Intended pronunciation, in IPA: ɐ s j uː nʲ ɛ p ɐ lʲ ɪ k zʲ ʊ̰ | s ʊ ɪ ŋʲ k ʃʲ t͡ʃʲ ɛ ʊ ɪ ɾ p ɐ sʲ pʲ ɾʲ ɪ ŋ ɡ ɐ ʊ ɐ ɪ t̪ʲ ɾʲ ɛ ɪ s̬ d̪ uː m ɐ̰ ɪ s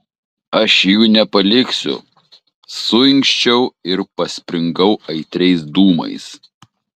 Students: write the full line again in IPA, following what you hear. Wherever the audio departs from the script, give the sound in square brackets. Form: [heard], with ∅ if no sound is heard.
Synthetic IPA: ɐ [ʃ] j uː nʲ ɛ p ɐ lʲ ɪ k [sʲ] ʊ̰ | s ʊ ɪ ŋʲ k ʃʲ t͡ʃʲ ɛ ʊ ɪ ɾ p ɐ sʲ pʲ ɾʲ ɪ ŋ ɡ ɐ ʊ ɐ ɪ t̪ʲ ɾʲ ɛ ɪ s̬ d̪ uː m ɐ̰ ɪ s

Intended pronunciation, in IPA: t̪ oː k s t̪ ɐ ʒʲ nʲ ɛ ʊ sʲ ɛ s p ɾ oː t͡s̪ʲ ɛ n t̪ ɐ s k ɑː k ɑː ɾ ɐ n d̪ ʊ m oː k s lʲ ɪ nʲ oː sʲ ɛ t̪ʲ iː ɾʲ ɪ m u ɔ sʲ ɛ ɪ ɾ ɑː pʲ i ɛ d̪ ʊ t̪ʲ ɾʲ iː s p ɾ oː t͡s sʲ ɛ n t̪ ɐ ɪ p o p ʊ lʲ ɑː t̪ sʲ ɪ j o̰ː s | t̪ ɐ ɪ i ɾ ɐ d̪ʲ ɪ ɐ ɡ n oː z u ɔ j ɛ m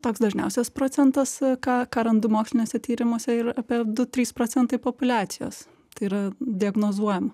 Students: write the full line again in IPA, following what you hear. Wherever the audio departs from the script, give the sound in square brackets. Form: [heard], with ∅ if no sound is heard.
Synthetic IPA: t̪ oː k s [d̪] ɐ ʒʲ nʲ ɛ ʊ sʲ ɛ s p ɾ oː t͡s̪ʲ ɛ n t̪ ɐ s k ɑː k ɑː ɾ ɐ n d̪ ʊ m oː k s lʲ ɪ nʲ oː sʲ ɛ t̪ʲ iː ɾʲ ɪ m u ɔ sʲ ɛ ɪ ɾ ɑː pʲ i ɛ d̪ ʊ t̪ʲ ɾʲ iː s p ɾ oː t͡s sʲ ɛ n t̪ ɐ ɪ p o p ʊ lʲ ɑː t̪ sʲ ɪ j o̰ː s | t̪ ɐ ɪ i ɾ ɐ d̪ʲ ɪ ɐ ɡ n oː z u ɔ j ɛ m

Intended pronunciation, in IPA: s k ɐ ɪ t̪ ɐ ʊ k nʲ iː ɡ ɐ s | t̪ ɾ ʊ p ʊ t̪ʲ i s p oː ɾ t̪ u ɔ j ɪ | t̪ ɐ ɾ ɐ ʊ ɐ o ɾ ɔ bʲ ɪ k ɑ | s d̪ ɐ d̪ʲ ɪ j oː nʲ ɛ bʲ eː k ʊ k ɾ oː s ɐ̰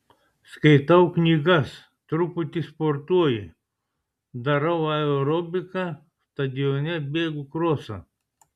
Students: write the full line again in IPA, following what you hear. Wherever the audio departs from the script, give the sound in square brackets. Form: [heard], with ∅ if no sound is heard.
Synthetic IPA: s k ɐ ɪ t̪ ɐ ʊ k nʲ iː ɡ ɐ s | t̪ ɾ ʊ p ʊ t̪ʲ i s p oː ɾ t̪ u ɔ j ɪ | [d̪] ɐ ɾ ɐ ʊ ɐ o ɾ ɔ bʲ ɪ k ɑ | s [t̪] ɐ d̪ʲ ɪ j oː nʲ ɛ bʲ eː [ɡ] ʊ k ɾ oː s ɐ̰

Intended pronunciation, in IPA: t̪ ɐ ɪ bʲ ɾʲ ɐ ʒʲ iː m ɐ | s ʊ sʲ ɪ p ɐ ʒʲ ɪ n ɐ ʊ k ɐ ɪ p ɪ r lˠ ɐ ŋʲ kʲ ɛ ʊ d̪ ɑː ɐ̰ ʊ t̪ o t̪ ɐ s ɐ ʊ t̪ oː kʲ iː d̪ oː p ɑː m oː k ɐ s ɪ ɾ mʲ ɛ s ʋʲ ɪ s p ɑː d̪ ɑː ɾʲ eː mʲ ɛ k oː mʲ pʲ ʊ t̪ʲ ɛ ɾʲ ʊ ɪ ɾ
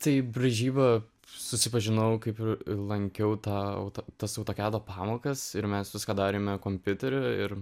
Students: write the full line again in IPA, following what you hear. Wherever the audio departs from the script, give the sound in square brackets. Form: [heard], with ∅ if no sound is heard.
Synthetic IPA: t̪ ɐ ɪ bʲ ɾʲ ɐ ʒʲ iː [b] ɐ | s ʊ sʲ ɪ p ɐ ʒʲ ɪ n ɐ ʊ k ɐ ɪ p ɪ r lˠ ɐ ŋʲ kʲ ɛ ʊ [t̪] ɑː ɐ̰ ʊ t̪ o t̪ ɐ s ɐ ʊ t̪ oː kʲ [æː] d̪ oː p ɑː m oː k ɐ s ɪ ɾ mʲ ɛ s ʋʲ ɪ s [k] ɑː d̪ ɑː ɾʲ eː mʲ ɛ k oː mʲ pʲ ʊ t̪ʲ ɛ ɾʲ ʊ ɪ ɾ

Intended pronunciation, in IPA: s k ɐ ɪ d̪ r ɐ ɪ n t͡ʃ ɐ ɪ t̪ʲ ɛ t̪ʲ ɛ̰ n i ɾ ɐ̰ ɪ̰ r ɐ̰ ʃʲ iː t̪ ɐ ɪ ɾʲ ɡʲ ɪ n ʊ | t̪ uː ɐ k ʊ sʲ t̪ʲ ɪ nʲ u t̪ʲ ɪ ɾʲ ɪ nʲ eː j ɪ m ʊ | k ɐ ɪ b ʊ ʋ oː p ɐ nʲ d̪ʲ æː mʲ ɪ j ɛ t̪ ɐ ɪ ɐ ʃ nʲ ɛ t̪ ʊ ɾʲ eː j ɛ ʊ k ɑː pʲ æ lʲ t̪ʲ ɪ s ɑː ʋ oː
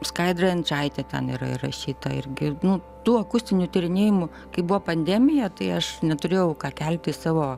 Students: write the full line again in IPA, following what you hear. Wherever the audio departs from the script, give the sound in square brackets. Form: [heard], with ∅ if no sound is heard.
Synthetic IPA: s k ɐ ɪ d̪ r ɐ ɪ n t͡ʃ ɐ ɪ t̪ʲ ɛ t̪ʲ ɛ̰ n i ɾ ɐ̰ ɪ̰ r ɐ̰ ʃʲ iː t̪ ɐ ɪ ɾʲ ɡʲ ɪ n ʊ | t̪ uː ɐ k ʊ sʲ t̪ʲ ɪ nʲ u t̪ʲ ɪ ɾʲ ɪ nʲ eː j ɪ m ʊ | k ɐ ɪ b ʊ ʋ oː p ɐ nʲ d̪ʲ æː mʲ ɪ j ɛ t̪ ɐ ɪ ɐ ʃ nʲ ɛ t̪ ʊ ɾʲ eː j ɛ ʊ k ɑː [kʲ] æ lʲ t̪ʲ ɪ s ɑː ʋ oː

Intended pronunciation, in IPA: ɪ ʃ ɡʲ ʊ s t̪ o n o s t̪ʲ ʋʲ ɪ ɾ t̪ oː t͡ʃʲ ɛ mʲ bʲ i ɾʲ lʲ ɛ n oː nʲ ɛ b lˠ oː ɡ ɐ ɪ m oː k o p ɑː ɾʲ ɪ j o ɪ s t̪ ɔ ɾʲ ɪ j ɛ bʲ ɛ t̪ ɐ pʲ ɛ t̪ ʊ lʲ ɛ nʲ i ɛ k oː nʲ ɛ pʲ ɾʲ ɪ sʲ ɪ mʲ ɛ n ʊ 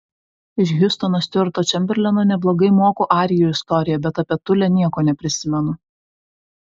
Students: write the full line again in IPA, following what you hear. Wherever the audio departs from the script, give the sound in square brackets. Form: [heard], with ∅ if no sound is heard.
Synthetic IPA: ɪ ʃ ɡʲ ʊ s t̪ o n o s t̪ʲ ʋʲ ɪ ɾ t̪ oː t͡ʃʲ ɛ mʲ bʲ [ɛ] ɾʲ lʲ ɛ n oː nʲ ɛ b lˠ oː ɡ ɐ ɪ m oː k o [ʔ] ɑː ɾʲ ɪ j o ɪ s t̪ ɔ ɾʲ ɪ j ɛ bʲ ɛ t̪ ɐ pʲ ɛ t̪ ʊ lʲ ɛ nʲ i ɛ k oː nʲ ɛ pʲ ɾʲ ɪ sʲ ɪ mʲ ɛ n ʊ

